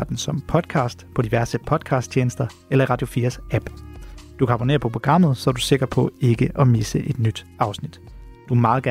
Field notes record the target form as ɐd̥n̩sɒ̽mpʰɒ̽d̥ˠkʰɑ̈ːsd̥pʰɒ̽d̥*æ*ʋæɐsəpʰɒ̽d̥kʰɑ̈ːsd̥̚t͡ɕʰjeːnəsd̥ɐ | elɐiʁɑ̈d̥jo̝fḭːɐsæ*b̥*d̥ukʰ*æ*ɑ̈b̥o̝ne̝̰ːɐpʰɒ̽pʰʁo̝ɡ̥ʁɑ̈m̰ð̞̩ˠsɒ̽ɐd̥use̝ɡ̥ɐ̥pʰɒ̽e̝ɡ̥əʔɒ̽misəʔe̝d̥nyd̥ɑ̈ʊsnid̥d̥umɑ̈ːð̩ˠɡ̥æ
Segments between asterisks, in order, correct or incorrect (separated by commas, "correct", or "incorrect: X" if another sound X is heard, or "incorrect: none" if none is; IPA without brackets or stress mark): incorrect: i, correct, correct